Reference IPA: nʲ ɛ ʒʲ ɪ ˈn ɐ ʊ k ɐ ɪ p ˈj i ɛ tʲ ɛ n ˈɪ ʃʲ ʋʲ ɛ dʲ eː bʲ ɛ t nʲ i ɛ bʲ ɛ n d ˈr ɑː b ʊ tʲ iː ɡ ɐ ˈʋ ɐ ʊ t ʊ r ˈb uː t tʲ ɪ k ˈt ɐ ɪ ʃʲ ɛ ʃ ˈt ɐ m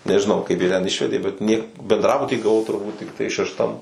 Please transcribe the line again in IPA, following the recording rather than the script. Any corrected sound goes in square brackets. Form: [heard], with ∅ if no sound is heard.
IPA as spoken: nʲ ɛ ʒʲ ɪ ˈn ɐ ʊ k ɐ ɪ p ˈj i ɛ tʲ ɛ n ˈɪ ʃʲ ʋʲ ɛ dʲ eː bʲ ɛ t nʲ i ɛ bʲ ɛ n d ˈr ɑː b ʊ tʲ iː ɡ ɐ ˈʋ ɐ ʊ t ʊ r ˈb uː t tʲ ɪ k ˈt ɐ ɪ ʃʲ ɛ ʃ ˈt ɐ m